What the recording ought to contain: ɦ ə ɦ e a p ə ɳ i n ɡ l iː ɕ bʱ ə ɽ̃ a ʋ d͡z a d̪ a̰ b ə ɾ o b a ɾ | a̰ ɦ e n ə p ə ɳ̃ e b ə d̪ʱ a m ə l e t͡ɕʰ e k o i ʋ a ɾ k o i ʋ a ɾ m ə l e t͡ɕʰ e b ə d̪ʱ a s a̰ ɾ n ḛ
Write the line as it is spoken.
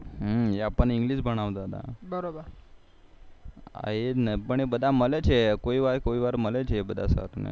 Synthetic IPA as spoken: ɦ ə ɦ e a p ə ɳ i ŋ ɡ l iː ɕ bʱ ə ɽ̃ a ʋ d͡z a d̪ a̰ b ə ɾ o b ə ɾ | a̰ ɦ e n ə p ə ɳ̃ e b ə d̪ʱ a m ə l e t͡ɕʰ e k o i ʋ a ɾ k o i ʋ a ɾ m ə l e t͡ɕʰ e b ə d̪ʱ a s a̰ ɾ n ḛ